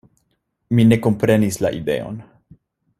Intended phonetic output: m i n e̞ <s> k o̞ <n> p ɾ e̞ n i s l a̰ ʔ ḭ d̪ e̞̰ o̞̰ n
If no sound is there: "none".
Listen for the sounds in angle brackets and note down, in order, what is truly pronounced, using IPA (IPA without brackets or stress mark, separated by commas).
none, m